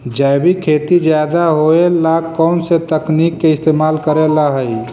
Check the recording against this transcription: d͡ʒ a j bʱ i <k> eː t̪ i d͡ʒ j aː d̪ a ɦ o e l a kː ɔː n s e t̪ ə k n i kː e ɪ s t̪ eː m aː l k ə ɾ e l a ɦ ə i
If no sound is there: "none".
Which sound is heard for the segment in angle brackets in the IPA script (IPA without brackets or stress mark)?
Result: kʰ